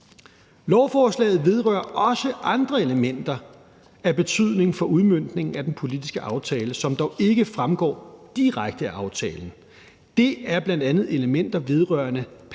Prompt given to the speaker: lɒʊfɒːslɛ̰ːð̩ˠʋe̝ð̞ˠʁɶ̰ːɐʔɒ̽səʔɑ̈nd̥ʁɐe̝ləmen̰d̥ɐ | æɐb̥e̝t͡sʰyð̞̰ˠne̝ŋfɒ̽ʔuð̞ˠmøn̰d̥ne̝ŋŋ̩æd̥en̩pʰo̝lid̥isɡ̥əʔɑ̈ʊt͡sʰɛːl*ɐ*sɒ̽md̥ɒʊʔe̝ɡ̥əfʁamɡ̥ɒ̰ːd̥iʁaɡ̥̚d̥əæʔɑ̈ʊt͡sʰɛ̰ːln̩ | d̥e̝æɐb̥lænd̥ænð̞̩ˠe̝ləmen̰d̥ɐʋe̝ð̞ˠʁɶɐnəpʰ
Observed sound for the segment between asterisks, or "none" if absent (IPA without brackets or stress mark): ə